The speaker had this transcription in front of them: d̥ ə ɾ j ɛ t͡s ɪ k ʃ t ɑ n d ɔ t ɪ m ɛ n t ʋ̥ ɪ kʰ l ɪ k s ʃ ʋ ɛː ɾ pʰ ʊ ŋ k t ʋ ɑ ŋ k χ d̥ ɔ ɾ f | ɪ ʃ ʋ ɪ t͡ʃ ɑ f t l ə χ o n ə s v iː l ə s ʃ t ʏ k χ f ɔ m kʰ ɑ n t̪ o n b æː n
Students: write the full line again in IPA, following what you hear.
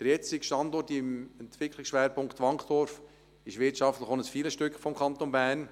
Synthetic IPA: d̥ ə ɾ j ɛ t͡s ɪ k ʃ t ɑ n d ɔ t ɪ m ɛ n t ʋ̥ ɪ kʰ l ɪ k s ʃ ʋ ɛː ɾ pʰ ʊ ŋ k t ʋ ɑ ŋ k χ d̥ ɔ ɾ f | ɪ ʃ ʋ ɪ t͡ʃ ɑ f t l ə χ o n ə s f iː l ə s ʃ t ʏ k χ f ɔ m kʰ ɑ n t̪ o n b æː n